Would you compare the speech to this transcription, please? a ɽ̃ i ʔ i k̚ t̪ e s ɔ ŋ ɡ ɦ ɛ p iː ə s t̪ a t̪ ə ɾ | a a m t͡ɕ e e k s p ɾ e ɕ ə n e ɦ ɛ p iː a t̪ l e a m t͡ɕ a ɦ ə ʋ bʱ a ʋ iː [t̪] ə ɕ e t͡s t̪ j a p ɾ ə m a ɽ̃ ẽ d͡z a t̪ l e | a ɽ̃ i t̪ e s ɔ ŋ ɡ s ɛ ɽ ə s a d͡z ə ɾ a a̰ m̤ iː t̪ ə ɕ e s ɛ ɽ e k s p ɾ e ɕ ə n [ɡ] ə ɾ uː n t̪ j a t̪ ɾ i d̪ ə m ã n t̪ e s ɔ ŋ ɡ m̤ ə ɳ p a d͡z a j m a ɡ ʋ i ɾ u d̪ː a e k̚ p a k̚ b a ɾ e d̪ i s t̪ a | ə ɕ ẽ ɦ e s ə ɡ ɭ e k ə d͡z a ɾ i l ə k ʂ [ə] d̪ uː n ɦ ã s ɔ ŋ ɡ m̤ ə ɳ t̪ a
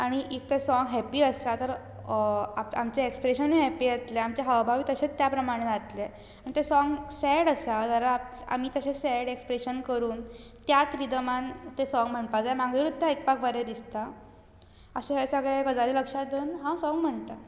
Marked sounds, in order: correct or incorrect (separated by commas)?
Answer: correct, incorrect, incorrect